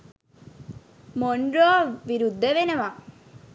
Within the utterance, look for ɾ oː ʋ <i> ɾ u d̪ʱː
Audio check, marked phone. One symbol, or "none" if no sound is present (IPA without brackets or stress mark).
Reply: i